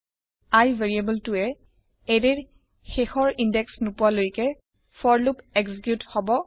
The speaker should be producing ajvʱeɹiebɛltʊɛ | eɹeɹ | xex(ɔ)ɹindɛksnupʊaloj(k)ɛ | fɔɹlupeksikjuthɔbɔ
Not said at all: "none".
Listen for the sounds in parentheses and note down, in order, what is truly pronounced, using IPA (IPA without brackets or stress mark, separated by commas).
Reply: ɔ, k